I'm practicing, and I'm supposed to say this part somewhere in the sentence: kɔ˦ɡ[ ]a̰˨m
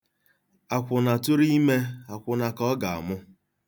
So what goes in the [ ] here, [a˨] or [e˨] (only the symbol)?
a˨